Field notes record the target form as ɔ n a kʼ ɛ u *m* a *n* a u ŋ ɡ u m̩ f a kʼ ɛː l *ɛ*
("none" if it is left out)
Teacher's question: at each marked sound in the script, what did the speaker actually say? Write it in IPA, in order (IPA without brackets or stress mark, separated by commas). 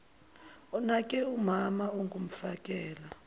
m, m, a